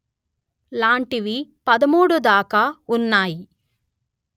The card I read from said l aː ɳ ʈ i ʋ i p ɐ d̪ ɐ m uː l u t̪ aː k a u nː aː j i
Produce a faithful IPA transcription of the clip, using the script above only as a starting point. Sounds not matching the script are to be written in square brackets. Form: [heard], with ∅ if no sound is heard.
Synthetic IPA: l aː ɳ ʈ i ʋ i p ɐ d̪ ɐ m uː [ɽ] u [d̪] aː k a u nː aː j i